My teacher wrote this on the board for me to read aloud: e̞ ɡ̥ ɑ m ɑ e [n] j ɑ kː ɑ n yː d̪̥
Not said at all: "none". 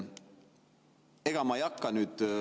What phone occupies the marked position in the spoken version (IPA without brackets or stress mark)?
none